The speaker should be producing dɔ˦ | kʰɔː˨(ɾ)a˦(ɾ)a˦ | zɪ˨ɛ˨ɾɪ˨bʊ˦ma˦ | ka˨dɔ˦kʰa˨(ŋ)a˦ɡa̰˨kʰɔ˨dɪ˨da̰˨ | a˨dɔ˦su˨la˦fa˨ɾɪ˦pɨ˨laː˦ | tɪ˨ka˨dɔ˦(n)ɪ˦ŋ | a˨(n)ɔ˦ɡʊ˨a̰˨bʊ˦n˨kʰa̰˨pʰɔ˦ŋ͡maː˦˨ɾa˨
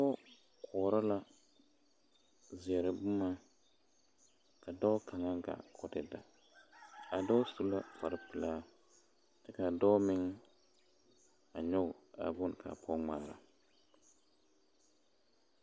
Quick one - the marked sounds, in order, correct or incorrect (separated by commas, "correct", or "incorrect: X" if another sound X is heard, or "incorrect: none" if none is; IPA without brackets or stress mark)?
correct, incorrect: l, correct, incorrect: m, incorrect: ɲ